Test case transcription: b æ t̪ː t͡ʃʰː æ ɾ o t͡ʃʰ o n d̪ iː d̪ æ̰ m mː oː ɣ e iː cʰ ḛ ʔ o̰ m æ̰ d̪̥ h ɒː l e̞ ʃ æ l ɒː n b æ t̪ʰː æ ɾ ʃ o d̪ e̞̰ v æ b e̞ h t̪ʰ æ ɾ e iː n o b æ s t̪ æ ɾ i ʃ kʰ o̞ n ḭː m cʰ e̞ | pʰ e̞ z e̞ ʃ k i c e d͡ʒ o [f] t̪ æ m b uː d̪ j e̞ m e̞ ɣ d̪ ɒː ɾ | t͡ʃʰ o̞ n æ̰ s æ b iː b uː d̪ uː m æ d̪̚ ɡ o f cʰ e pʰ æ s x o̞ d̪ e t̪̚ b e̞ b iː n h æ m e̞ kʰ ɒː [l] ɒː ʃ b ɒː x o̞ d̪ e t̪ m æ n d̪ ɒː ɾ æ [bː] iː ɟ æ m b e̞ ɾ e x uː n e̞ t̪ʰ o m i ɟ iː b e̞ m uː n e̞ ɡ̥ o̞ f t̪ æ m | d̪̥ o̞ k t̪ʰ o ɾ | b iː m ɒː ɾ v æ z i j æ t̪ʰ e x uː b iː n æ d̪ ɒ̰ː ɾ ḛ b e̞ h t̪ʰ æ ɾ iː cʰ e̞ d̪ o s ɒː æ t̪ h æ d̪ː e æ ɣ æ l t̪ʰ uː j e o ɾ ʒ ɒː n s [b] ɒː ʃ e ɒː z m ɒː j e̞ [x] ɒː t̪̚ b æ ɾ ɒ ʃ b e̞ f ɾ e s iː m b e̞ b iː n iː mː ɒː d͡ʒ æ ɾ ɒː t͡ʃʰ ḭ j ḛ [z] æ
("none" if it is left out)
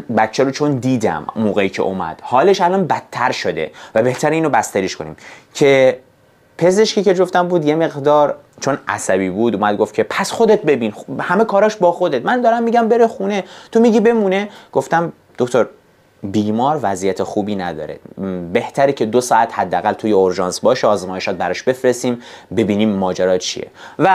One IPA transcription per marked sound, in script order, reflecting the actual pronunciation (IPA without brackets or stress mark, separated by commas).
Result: f, ɾ, mː, b, ʃ, v